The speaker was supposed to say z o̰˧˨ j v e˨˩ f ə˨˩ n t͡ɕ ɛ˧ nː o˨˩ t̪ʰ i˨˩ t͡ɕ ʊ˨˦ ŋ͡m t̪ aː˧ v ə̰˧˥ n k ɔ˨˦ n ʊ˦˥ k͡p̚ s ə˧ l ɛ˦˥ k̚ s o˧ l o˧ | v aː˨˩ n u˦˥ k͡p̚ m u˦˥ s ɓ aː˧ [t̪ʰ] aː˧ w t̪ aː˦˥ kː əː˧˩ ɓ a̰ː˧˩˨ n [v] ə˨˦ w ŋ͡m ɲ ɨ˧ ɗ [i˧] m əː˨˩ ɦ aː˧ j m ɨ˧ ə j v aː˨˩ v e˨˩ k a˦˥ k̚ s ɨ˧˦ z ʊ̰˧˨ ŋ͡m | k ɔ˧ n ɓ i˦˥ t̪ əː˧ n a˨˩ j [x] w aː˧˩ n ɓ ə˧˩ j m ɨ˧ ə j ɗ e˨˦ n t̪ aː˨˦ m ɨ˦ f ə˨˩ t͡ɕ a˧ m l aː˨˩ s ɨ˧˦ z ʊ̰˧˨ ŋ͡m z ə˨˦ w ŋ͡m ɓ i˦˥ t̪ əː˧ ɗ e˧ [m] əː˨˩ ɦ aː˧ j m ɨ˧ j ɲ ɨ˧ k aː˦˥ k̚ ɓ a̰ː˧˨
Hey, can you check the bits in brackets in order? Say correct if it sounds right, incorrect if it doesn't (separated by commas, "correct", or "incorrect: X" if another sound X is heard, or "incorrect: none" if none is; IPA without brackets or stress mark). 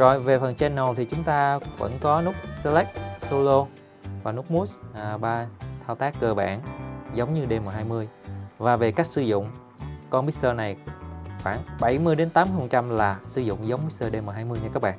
correct, incorrect: z, incorrect: e˧, correct, correct